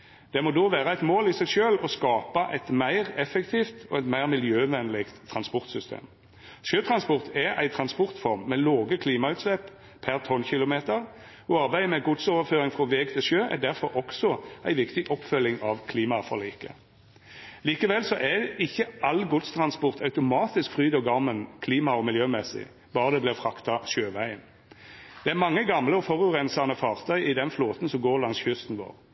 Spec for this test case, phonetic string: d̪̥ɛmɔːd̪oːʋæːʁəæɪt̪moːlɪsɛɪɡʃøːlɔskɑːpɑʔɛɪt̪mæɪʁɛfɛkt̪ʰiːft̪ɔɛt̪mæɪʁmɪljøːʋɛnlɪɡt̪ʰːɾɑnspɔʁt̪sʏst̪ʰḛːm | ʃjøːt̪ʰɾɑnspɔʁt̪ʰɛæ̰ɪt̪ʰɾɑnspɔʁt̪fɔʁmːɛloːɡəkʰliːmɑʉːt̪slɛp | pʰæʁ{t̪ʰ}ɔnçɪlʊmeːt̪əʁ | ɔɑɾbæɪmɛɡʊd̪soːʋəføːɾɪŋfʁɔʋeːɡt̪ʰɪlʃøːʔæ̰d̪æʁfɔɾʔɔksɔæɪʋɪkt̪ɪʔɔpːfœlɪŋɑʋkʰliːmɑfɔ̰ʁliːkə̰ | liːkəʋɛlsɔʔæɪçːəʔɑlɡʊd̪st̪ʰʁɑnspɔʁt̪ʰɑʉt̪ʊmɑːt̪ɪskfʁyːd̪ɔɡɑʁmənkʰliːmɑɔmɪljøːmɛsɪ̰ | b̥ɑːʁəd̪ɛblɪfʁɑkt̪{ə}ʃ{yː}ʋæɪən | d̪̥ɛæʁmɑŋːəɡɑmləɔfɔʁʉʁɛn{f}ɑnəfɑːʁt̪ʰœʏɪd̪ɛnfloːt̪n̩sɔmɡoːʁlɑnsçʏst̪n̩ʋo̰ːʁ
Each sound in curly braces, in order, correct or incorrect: correct, incorrect, incorrect, incorrect

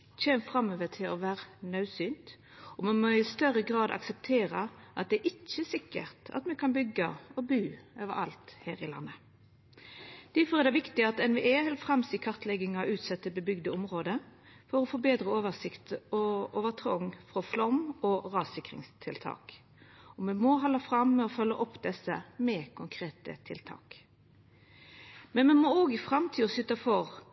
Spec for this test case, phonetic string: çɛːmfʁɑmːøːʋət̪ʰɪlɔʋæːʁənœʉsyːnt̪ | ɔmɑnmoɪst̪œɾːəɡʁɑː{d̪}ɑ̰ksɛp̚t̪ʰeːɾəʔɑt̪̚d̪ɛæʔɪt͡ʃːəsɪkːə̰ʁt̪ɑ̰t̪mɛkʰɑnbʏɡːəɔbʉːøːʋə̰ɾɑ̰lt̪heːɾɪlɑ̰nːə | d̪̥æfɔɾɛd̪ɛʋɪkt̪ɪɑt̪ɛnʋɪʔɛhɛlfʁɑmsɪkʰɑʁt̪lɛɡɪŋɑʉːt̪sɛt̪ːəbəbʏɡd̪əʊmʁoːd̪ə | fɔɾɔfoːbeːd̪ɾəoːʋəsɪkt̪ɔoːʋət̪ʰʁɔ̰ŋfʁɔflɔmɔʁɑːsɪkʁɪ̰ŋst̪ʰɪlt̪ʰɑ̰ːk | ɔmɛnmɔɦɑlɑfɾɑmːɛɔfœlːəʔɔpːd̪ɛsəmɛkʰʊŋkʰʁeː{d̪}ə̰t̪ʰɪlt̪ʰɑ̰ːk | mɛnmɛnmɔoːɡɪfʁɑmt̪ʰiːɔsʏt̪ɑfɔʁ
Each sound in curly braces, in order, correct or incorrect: correct, incorrect

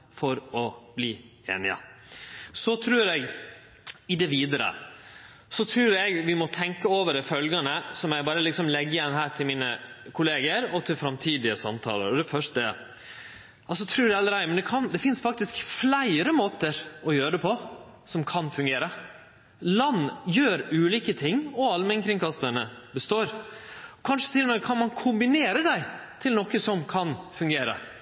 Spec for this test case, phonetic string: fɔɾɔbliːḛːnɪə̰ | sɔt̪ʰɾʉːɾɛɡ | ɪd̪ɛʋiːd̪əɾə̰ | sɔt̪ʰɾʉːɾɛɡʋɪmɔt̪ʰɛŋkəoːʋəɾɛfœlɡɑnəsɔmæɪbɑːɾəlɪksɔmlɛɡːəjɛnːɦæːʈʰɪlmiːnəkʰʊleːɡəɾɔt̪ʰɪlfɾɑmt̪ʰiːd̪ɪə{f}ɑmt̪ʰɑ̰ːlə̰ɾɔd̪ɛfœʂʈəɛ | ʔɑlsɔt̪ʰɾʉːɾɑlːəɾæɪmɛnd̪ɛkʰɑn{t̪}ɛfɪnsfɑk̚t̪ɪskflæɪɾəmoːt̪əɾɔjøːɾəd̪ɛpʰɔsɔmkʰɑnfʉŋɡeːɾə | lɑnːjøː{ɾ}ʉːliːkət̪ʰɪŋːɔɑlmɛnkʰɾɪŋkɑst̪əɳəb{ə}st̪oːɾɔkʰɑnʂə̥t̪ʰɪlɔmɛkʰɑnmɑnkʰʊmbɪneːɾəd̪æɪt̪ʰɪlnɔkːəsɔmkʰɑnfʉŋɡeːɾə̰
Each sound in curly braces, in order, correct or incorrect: incorrect, incorrect, correct, correct

